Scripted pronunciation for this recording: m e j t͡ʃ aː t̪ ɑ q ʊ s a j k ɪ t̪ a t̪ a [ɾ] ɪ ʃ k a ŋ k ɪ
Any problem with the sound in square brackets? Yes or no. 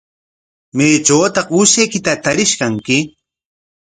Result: no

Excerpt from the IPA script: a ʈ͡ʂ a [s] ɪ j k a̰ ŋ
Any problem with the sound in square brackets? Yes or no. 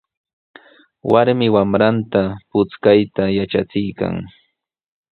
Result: yes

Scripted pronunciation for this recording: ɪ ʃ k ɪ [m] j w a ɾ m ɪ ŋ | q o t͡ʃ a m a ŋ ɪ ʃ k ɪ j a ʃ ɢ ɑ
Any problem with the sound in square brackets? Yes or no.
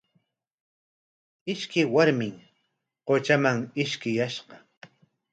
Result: yes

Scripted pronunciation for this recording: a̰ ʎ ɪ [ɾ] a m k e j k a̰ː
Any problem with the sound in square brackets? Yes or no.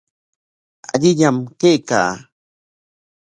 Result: yes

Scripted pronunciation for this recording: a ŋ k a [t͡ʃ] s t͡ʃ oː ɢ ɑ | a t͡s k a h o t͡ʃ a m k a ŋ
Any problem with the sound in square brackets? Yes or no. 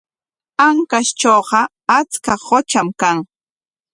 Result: yes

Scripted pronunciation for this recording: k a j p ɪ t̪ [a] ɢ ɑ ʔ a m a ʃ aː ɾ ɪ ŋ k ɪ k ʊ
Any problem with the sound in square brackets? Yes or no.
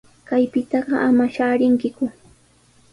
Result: yes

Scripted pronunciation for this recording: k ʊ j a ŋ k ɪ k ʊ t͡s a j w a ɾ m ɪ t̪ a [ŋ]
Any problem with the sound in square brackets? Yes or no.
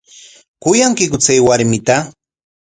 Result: yes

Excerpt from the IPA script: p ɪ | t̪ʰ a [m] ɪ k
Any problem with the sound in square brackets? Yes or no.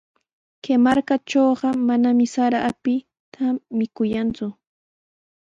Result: no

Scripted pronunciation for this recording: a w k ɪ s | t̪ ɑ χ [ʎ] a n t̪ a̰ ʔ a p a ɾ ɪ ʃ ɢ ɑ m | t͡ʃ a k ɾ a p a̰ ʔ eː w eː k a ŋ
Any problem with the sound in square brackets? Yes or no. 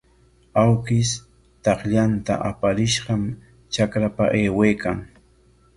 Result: no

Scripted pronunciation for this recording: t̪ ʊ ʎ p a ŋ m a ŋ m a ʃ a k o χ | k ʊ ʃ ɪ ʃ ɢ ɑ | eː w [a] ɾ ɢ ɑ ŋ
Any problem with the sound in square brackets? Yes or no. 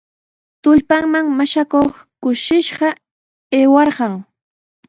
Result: yes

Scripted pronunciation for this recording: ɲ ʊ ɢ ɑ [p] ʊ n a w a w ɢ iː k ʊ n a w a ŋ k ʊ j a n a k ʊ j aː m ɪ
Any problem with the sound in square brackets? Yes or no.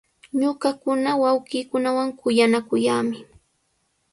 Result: yes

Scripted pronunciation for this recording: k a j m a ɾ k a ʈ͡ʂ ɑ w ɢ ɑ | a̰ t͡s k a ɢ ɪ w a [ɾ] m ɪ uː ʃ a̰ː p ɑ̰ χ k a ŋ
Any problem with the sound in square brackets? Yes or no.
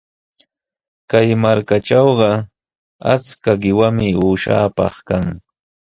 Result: yes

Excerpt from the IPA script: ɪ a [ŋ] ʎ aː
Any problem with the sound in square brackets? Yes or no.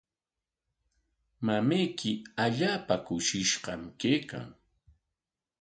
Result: yes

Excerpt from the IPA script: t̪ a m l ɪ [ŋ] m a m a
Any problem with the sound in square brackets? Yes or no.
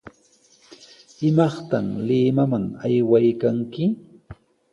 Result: yes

